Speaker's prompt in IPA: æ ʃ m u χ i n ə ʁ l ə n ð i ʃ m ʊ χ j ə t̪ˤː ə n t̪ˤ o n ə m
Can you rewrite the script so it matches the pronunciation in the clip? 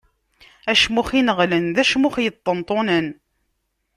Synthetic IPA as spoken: æ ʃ m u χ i n ə ʁ l ə n ð æ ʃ m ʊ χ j ə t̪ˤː ə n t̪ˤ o n ə n